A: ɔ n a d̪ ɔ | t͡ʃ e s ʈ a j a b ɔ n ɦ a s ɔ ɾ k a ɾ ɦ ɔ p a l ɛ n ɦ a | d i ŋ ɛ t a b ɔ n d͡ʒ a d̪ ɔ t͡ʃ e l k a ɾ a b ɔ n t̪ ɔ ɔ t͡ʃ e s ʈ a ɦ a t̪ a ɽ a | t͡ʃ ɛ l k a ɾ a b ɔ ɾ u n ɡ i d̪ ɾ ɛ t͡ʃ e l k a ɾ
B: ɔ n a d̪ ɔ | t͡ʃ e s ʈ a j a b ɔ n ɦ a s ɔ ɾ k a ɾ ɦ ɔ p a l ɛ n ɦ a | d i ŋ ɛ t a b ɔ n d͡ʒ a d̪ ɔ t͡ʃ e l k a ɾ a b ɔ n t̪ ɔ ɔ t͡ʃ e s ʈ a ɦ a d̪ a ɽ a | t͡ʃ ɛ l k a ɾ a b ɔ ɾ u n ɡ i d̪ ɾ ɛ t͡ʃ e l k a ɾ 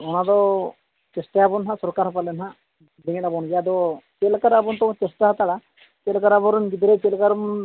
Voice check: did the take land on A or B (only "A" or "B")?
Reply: A